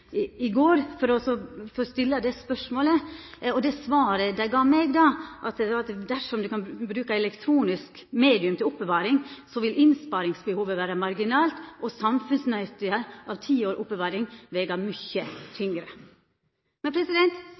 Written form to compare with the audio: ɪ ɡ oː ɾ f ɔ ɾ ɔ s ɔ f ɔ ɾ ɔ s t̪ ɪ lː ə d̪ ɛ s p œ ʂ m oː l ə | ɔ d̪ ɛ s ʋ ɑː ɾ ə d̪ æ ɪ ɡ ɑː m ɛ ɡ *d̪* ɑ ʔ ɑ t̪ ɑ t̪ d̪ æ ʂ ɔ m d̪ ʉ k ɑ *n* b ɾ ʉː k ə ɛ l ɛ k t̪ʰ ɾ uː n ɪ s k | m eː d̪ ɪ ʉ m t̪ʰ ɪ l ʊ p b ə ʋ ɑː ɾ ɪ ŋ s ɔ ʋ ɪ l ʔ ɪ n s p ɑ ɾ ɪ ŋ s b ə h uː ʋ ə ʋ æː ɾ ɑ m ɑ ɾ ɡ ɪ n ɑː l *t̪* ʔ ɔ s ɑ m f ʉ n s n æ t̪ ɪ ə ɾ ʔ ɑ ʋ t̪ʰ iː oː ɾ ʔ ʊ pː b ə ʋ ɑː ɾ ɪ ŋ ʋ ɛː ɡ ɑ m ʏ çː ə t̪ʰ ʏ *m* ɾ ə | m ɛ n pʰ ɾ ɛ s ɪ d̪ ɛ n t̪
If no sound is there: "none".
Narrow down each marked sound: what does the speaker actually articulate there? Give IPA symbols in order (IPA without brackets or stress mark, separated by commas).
d̪, n, t̪, ŋ